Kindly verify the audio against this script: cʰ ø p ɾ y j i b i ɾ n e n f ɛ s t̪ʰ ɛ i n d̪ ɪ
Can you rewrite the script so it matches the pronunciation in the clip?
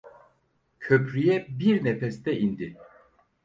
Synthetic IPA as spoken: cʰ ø p ɾ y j ɛ b i ɾ n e f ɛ s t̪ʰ ɛ i n d̪ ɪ